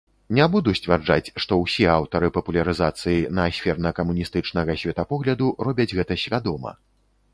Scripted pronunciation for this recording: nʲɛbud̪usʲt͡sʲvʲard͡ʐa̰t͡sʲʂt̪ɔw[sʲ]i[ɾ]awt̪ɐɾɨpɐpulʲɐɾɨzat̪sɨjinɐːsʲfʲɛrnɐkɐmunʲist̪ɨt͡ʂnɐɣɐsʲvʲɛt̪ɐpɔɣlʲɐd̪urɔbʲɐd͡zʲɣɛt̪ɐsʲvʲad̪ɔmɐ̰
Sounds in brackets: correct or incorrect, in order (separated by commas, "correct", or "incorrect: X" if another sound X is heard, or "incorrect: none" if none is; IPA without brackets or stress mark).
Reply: correct, incorrect: none